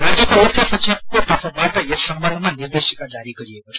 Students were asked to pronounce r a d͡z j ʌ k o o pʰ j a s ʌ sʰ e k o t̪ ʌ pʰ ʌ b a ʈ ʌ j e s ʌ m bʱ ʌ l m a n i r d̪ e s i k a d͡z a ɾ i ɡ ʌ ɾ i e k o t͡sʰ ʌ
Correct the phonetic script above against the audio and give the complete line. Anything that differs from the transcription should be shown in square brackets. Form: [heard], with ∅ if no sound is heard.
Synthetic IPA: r a d͡z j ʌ k o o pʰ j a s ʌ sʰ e k o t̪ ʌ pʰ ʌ b a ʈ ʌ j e s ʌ m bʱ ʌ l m a n i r d̪ e s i k a d͡z a ɾ i ɡ ʌ ɾ i e k o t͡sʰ ʌ